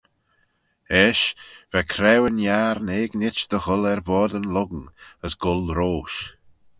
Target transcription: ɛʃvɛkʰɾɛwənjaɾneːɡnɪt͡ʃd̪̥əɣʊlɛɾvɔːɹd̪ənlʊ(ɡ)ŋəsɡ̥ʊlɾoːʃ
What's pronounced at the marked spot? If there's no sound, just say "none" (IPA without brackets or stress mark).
ɡ